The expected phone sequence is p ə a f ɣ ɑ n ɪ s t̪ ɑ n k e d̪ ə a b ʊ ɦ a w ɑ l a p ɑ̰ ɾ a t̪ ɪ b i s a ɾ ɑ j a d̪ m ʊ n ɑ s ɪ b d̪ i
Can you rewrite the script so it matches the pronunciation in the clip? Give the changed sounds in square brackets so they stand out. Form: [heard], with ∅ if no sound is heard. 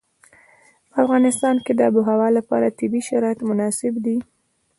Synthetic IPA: p ə a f ɣ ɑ n ɪ s t̪ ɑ n k e d̪ ə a b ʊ ɦ a w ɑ l a p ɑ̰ ɾ a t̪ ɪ b i [ʃ] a ɾ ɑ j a [t̪] m ʊ n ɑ s ɪ b d̪ i

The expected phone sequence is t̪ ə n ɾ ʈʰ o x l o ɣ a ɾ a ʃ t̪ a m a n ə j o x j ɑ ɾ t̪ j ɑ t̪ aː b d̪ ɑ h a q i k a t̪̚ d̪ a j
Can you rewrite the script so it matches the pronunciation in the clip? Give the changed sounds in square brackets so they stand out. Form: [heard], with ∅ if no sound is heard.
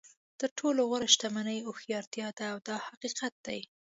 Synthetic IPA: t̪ ə [∅] ɾ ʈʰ o [∅] l o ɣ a ɾ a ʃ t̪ a m a n ə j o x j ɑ ɾ t̪ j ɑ [d̪] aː [w] d̪ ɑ h a q i [q] a t̪̚ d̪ a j

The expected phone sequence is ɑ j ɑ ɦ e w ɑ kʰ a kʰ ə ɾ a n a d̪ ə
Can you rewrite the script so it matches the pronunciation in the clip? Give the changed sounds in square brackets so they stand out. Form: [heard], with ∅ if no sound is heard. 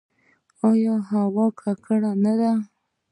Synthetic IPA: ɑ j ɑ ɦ [a] w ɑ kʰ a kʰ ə [ɽ] a n a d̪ [a]

